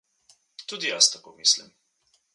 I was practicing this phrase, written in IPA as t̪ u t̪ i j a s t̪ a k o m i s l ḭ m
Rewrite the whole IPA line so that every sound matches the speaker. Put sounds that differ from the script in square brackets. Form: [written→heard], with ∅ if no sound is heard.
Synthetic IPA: t̪ u [t̪→d̪] i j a s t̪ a k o m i s l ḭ m